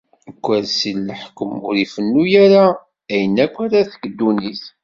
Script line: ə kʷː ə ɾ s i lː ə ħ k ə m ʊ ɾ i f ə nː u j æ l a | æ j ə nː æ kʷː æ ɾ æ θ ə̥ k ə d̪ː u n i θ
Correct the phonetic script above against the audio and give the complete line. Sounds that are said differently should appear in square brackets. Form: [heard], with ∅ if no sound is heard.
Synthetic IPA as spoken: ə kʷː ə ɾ s i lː ə ħ k ə m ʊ ɾ i f ə nː u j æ [ɾ] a | æ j ə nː æ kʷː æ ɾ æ θ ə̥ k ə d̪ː u n i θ